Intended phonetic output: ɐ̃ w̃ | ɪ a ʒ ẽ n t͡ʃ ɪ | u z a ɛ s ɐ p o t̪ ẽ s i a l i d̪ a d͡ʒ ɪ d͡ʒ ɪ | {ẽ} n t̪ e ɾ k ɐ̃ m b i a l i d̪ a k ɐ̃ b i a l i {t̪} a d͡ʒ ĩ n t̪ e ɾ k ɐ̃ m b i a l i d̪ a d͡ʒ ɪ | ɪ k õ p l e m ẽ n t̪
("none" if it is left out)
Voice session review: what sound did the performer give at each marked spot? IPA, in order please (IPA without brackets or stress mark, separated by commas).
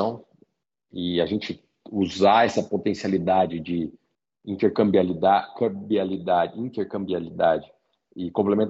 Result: ĩ, d̪